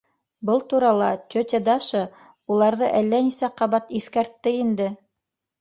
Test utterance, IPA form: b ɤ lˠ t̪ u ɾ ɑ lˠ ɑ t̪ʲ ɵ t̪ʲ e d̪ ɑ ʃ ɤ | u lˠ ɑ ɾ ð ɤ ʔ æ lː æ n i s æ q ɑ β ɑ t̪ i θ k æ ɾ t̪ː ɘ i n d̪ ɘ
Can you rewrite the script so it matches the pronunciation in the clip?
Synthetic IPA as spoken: b ɤ lˠ t̪ u ɾ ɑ lˠ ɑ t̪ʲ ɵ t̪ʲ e d̪ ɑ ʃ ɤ | u lˠ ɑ ɾ ð ɤ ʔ æ lː æ n i s æ q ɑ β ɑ t̪ i θ k æ ɾ t̪ː ɘ i n d̪ ɘ